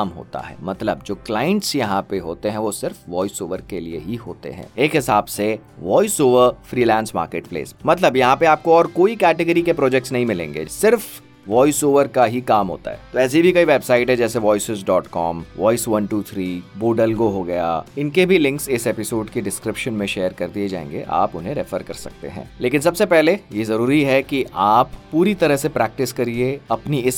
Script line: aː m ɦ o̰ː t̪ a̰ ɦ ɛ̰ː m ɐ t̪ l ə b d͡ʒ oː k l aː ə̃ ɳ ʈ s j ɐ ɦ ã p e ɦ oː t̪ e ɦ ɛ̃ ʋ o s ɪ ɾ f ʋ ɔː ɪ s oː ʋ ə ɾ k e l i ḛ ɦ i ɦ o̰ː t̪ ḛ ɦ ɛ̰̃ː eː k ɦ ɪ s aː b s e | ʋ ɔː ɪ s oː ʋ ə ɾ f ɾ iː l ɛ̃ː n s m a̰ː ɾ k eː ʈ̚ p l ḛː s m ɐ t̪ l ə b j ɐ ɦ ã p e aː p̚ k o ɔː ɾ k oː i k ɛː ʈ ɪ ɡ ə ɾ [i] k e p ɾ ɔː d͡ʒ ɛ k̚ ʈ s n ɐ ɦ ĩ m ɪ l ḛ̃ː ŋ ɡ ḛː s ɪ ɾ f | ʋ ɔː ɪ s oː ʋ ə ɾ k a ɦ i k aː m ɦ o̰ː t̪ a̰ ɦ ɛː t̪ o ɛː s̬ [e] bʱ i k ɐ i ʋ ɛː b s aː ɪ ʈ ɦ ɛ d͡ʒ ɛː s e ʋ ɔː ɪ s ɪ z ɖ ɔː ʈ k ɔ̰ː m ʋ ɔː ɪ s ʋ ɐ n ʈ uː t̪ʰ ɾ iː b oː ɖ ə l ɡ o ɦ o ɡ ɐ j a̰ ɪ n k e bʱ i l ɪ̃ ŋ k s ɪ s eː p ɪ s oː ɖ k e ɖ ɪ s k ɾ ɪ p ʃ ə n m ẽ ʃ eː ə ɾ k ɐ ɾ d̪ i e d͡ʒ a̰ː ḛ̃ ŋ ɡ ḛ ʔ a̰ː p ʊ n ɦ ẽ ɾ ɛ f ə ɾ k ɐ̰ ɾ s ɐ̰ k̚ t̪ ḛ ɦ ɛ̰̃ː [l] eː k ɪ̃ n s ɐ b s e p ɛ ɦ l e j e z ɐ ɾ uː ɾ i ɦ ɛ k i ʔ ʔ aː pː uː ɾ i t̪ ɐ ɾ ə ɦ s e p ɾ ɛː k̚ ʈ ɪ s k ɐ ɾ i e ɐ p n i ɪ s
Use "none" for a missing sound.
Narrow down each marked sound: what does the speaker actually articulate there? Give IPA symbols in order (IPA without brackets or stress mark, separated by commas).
i, i, l